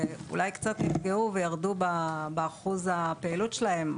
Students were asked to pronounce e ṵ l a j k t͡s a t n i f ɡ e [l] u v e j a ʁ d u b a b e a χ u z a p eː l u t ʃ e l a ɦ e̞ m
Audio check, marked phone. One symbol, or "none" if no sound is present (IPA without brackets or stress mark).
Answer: none